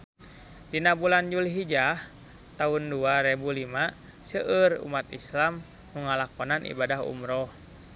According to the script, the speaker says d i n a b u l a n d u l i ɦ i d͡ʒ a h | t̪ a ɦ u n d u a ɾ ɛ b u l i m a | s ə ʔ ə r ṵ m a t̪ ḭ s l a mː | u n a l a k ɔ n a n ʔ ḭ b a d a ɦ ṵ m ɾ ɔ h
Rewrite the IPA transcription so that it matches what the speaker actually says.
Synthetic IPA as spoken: d i n a b u l a n d͡ʒ u l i ɦ i d͡ʒ a h | t̪ a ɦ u n d u a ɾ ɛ b u l i m a | s ə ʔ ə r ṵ m a t̪ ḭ s l a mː | u ŋ a l a k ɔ n a n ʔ ḭ b a d a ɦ ṵ m ɾ ɔ h